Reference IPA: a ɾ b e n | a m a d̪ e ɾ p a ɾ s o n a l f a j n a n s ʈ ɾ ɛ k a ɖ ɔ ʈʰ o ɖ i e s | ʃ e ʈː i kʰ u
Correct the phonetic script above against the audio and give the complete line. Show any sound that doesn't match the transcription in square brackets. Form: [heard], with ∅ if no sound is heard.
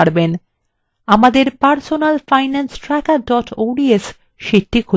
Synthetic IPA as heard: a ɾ b e n | a m a d̪ e ɾ p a ɾ s o n a l f a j n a n s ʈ ɾ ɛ k a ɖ ɔ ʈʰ o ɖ i e s | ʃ [i] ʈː i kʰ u